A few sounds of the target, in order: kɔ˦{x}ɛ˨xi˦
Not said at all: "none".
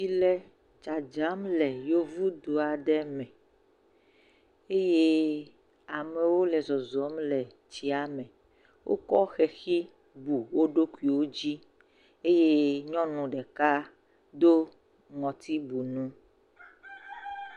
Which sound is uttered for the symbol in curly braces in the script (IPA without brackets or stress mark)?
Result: x